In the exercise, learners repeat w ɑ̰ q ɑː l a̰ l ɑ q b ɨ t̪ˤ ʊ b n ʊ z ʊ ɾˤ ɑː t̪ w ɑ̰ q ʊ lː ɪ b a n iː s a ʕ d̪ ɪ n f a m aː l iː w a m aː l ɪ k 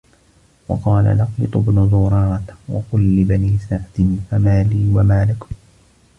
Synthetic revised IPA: w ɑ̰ q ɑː l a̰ l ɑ q b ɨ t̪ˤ ʊ b n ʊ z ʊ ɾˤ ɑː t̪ w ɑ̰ q ʊ lː ɪ b a n iː s a ʕ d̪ ɪ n f a m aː l iː w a m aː l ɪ k